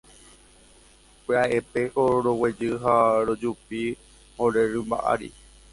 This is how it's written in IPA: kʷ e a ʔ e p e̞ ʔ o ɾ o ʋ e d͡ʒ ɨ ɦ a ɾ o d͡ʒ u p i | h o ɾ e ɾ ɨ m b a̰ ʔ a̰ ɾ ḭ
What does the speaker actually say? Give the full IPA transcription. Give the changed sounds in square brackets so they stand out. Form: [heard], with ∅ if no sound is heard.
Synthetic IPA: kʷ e a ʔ e p e̞ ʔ o ɾ o [w] e d͡ʒ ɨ ɦ a ɾ o d͡ʒ u p i | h o ɾ e ɾ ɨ m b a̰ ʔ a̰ ɾ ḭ